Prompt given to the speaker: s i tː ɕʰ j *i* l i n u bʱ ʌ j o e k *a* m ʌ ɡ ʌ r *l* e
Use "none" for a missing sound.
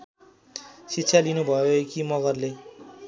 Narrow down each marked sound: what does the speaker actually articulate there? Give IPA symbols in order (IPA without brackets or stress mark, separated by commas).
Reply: a, i, l